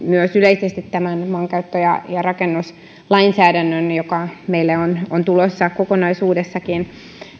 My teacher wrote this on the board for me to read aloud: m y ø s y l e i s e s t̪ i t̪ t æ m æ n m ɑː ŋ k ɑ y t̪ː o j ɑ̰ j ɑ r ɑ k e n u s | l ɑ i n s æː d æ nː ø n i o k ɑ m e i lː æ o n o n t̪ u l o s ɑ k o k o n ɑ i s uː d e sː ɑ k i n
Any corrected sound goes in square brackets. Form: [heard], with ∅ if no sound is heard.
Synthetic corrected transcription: m y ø s y l e i s e s t̪ i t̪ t æ m æ n m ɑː ŋ k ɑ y t̪ː o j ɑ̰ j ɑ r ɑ k e [nː] u s | l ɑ i n s æː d æ nː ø n [j] o k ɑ m e i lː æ o n o n t̪ u l o [sː] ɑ k o k o n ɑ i s uː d e sː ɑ k i n